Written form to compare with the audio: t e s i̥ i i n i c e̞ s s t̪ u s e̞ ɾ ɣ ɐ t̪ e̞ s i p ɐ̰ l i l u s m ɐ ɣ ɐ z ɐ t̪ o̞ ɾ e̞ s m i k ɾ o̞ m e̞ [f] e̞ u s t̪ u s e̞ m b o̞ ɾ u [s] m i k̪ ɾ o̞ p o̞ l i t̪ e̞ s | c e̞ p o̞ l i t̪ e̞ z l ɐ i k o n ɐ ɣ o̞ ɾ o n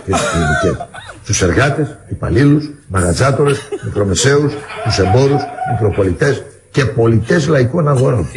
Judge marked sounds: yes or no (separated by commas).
no, yes